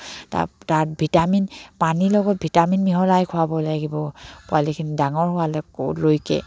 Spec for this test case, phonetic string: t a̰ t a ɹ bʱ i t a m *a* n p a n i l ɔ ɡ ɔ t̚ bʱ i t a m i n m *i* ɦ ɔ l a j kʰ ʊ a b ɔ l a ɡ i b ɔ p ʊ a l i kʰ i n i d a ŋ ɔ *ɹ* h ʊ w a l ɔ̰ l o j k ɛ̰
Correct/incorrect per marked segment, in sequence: incorrect: i, correct, correct

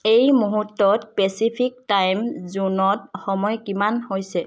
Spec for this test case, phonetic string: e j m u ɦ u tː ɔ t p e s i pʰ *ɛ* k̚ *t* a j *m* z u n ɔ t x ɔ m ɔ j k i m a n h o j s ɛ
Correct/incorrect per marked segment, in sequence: incorrect: i, correct, correct

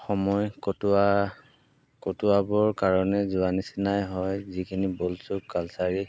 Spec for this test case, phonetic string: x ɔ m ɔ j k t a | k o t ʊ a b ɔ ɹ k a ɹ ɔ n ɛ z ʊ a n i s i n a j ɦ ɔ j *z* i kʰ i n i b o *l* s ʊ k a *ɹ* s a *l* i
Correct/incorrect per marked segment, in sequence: correct, correct, incorrect: l, incorrect: ɹ

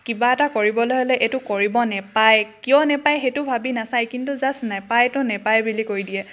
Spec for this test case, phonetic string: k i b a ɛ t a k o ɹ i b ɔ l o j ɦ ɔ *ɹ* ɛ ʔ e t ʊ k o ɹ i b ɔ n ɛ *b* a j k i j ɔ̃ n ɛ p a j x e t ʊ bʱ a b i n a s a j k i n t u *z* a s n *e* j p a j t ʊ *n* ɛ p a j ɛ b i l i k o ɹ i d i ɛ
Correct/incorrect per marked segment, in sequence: incorrect: l, incorrect: p, correct, incorrect: a, correct

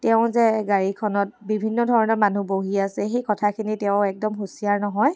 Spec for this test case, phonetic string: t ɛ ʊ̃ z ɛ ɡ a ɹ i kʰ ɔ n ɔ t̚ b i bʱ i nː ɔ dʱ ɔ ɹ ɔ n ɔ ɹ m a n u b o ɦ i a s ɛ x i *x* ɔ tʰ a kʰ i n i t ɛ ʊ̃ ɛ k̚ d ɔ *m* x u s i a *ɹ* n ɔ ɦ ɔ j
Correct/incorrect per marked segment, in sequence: incorrect: k, correct, correct

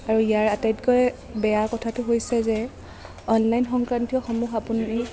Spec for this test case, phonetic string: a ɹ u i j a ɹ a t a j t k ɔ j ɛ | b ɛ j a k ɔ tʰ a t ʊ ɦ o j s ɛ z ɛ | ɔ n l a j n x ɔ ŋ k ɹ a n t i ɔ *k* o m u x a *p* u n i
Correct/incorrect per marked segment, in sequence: incorrect: x, correct

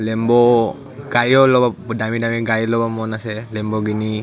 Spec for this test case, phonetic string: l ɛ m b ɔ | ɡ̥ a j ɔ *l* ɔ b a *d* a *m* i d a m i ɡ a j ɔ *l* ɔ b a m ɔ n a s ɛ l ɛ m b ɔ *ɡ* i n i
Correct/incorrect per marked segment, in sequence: correct, correct, correct, correct, correct

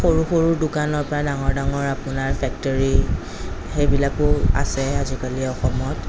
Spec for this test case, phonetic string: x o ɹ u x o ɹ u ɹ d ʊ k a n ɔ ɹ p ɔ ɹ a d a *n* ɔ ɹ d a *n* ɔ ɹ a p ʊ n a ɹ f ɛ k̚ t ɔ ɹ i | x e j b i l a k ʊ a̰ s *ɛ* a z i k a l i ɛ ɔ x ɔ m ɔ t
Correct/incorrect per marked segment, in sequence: incorrect: ŋ, incorrect: ŋ, correct

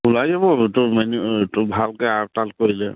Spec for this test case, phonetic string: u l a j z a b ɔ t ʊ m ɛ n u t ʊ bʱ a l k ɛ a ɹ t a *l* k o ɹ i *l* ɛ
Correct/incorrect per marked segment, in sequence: correct, correct

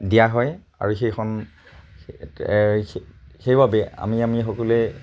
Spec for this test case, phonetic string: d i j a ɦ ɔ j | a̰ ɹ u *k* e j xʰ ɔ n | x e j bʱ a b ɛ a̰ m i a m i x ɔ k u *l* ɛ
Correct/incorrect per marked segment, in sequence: incorrect: x, correct

